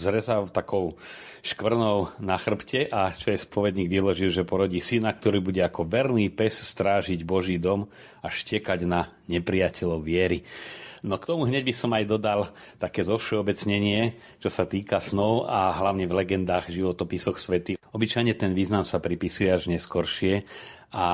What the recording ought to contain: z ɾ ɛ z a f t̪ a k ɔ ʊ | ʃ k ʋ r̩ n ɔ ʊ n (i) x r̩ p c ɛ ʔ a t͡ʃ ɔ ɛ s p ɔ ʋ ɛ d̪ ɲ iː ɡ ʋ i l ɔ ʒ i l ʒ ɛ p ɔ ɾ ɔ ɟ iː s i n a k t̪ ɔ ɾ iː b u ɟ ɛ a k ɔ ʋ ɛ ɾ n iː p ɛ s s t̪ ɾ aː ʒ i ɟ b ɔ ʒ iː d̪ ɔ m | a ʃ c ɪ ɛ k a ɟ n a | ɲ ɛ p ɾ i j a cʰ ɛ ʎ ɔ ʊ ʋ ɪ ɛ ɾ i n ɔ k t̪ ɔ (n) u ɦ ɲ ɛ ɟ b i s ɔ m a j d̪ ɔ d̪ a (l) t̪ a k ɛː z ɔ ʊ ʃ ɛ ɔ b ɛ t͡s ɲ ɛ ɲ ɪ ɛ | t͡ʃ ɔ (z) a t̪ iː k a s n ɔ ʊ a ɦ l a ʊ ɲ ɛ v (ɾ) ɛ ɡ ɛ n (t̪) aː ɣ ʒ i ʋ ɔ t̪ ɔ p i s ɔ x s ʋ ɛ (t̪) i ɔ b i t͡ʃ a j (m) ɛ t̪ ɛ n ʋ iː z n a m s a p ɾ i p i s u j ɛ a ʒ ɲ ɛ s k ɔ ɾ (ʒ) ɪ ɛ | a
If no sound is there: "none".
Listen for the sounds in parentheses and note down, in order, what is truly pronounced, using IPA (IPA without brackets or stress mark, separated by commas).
a, m, l, s, l, d̪, t̪, ɲ, ʃ